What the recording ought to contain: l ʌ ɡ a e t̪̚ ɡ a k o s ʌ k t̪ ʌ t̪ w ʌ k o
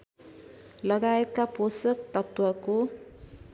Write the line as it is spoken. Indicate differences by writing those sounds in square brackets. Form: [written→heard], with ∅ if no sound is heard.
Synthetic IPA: l ʌ ɡ a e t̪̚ [ɡ→k] a [k→p] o s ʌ k t̪ ʌ t̪ w ʌ k o